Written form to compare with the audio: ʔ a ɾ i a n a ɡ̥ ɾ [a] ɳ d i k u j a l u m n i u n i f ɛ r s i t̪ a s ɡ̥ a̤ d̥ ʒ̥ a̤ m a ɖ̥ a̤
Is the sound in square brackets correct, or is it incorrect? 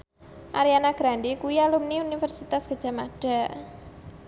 correct